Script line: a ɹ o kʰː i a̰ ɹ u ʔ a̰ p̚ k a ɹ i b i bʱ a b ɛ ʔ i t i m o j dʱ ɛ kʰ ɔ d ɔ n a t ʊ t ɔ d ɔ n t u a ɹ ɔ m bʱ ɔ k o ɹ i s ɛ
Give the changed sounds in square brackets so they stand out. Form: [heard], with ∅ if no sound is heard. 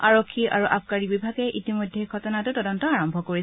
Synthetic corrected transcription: a ɹ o kʰː i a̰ ɹ u ʔ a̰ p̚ k a ɹ i b i bʱ a [ɡ] ɛ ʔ i t i m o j dʱ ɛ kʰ ɔ [t] ɔ n a t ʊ t ɔ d ɔ n t [ɔ] a ɹ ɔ m bʱ ɔ k o ɹ i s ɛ